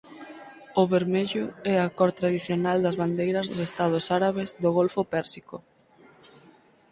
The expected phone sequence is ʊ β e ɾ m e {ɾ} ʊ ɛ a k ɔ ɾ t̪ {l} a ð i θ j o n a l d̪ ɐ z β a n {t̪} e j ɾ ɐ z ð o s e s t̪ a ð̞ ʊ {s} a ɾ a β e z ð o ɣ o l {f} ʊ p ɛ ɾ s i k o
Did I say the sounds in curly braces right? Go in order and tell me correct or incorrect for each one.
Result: incorrect: ʎ, incorrect: ɾ, incorrect: d̪, correct, correct

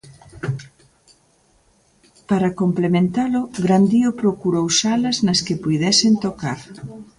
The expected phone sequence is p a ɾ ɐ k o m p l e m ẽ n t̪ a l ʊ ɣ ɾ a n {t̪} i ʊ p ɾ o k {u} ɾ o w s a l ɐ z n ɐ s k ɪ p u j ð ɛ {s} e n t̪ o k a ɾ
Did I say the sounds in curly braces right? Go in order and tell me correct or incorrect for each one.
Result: incorrect: d̪, correct, correct

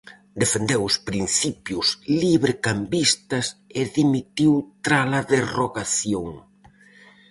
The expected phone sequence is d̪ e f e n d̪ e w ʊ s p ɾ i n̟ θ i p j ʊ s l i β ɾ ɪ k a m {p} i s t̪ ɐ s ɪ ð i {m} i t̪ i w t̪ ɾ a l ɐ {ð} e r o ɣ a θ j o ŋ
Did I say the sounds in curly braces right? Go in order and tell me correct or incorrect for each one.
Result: incorrect: b, correct, correct

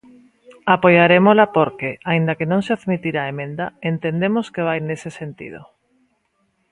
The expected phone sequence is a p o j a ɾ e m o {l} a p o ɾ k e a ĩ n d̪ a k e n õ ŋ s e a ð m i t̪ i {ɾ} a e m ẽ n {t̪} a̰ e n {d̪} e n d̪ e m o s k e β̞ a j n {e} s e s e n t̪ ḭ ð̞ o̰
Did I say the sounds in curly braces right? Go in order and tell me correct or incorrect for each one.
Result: correct, correct, incorrect: d̪, incorrect: t̪, correct

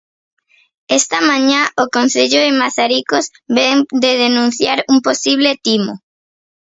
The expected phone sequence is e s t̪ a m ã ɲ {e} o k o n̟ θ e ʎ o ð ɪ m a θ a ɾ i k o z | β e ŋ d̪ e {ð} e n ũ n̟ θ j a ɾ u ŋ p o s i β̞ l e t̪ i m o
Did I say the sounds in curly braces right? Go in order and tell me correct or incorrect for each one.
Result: incorrect: a, correct

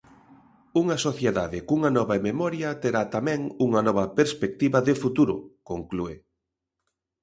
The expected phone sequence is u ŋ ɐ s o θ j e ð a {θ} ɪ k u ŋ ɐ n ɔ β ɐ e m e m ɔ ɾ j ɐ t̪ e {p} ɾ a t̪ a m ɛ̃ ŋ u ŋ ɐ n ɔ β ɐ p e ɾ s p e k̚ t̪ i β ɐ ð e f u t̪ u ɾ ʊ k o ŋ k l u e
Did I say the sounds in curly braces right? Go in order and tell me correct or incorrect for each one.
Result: incorrect: ð, incorrect: none

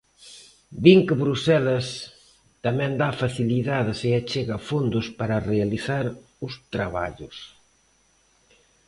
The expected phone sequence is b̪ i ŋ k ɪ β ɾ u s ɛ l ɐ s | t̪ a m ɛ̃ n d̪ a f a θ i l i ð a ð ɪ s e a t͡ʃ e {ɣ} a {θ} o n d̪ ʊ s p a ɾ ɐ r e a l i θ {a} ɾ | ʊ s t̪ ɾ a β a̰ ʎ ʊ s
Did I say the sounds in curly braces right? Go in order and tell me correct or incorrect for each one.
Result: correct, incorrect: f, correct

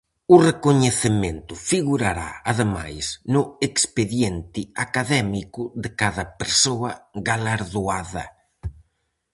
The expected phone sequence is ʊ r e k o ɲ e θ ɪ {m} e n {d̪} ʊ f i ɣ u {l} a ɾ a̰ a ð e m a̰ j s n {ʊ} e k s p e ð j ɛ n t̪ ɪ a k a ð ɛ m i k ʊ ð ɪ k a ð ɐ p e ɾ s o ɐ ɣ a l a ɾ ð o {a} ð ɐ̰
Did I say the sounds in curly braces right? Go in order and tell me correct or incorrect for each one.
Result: correct, incorrect: t̪, incorrect: ɾ, correct, correct

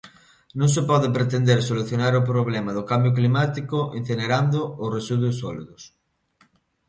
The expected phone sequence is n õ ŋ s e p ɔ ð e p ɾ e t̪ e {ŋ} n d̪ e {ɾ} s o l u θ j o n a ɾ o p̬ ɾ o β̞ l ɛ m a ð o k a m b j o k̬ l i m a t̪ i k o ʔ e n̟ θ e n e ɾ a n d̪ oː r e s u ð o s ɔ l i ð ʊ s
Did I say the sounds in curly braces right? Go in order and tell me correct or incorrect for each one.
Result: incorrect: none, correct

